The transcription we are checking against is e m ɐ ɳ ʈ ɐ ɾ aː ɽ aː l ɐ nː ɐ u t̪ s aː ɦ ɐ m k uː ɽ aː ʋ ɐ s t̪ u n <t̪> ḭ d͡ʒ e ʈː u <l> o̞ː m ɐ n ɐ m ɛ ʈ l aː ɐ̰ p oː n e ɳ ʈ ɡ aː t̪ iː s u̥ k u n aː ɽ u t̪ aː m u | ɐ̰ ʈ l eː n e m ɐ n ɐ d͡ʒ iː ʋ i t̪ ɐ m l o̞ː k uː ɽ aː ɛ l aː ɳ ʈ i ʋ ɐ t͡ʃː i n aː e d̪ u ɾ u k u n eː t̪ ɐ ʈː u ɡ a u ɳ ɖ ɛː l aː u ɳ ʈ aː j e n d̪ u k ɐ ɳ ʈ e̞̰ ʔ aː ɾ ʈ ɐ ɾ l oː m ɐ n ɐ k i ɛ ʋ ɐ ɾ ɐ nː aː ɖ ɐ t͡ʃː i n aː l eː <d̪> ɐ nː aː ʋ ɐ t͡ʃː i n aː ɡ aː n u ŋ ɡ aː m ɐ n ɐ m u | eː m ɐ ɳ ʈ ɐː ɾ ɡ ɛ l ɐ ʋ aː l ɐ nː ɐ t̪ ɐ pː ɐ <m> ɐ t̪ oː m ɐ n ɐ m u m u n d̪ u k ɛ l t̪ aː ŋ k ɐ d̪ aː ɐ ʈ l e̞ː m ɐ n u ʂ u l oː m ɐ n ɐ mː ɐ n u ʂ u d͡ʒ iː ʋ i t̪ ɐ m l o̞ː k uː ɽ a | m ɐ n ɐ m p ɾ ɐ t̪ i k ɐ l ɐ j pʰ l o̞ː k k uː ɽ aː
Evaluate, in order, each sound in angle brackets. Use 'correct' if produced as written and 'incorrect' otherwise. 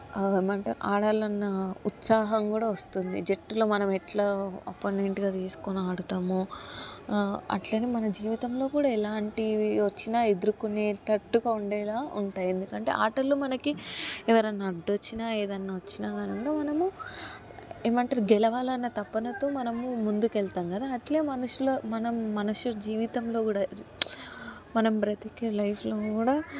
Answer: incorrect: d̪, correct, correct, incorrect: n

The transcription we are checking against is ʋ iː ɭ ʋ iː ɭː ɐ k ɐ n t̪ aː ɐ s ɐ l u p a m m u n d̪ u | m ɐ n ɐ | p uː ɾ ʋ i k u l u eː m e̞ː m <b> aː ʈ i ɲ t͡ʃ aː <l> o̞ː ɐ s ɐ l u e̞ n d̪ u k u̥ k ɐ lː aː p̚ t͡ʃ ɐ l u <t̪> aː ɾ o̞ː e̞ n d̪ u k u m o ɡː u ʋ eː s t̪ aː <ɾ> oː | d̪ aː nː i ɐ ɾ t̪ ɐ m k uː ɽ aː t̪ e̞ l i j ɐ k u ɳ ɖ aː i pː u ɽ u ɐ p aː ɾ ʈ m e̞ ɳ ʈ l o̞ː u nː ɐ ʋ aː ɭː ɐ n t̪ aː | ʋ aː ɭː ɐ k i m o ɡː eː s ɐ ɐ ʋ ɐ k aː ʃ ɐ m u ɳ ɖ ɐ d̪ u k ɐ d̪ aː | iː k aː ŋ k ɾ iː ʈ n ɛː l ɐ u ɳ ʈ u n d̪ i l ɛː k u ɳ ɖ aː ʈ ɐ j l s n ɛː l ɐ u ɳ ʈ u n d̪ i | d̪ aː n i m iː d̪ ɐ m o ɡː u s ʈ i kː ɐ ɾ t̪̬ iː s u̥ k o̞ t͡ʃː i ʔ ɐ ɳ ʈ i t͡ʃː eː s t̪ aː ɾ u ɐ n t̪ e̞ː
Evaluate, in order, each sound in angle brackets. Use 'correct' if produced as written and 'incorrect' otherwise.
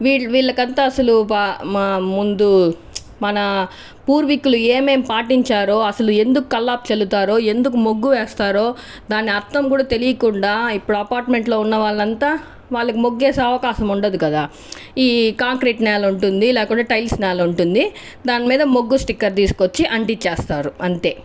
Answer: incorrect: p, incorrect: ɾ, correct, correct

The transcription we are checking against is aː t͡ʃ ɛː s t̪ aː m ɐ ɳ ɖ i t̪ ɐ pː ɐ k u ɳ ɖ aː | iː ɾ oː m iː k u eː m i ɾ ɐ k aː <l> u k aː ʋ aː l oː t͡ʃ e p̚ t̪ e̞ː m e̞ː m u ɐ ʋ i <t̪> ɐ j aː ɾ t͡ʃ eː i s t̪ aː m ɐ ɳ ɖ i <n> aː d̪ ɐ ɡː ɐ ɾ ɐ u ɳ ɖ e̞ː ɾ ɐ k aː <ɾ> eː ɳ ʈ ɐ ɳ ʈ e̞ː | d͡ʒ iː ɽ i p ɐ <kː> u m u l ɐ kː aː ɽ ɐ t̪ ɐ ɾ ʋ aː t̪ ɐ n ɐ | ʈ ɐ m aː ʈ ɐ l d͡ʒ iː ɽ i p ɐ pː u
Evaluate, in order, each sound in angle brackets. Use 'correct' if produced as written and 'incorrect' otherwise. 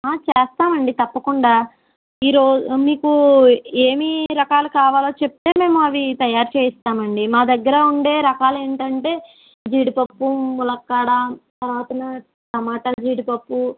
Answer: correct, correct, incorrect: m, incorrect: l, incorrect: pː

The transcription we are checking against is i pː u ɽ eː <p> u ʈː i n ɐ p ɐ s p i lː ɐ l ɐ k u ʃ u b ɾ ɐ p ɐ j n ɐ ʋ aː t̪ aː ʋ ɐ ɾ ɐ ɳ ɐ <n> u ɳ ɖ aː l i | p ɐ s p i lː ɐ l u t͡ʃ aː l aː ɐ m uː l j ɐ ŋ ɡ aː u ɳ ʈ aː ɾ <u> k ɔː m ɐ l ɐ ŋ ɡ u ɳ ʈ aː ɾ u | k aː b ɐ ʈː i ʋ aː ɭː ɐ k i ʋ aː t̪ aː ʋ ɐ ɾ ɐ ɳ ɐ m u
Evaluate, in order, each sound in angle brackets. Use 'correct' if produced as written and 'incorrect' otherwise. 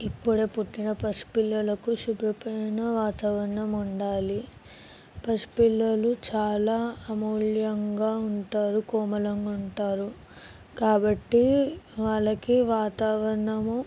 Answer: correct, incorrect: m, correct

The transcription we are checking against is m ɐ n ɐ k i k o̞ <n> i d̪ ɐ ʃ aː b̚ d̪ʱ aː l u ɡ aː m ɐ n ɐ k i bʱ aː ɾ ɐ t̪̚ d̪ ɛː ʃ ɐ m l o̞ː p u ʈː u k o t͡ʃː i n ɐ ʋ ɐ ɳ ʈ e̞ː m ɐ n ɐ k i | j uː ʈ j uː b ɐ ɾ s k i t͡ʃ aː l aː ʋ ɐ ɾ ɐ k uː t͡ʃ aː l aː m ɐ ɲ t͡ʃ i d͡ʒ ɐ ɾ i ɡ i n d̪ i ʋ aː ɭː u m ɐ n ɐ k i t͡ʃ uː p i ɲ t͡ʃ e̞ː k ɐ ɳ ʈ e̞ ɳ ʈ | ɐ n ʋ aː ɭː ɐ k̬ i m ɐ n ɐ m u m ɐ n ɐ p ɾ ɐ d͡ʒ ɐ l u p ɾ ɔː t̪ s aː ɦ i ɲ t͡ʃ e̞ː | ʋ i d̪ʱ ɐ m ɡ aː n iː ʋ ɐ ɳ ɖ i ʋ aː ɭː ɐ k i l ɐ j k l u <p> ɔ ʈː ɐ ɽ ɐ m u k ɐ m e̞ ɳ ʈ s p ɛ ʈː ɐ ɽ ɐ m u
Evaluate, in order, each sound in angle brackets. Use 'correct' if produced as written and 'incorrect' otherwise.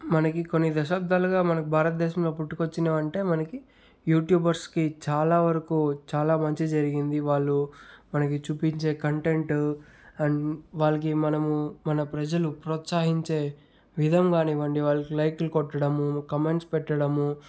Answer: incorrect: nː, incorrect: k

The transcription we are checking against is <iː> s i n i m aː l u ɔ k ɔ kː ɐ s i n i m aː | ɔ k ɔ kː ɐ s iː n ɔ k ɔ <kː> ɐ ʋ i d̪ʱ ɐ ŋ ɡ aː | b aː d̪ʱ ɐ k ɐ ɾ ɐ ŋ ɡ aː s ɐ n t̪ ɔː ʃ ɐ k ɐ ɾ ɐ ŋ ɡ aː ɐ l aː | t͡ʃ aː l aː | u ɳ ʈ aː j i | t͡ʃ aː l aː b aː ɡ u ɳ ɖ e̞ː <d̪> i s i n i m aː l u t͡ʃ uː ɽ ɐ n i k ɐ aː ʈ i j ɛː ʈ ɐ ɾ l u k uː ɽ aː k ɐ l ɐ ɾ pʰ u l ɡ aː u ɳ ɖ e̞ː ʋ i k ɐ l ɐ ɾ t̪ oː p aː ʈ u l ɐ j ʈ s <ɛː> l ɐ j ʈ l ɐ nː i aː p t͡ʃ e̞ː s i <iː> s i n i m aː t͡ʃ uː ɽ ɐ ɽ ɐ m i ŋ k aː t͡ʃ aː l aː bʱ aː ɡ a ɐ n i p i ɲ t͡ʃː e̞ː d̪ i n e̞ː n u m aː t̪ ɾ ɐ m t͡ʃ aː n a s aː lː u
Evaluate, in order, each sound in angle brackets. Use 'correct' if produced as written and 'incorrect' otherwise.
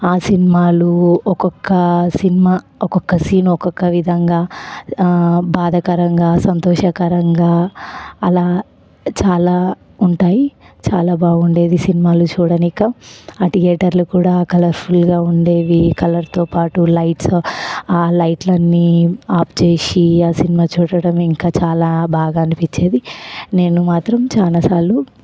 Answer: incorrect: aː, correct, correct, incorrect: aː, incorrect: aː

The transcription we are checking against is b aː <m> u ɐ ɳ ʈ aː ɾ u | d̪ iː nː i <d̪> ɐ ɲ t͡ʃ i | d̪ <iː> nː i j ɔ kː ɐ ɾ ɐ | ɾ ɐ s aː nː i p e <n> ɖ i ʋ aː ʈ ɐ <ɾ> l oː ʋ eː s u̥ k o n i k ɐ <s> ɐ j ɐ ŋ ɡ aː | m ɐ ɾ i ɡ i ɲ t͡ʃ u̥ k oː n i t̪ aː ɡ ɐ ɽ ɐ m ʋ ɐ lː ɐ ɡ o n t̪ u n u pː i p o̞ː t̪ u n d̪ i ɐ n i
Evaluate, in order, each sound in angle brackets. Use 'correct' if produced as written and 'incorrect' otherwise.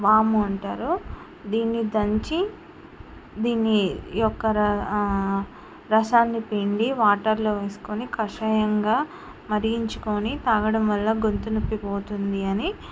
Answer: correct, correct, correct, incorrect: ɳ, correct, incorrect: ʂ

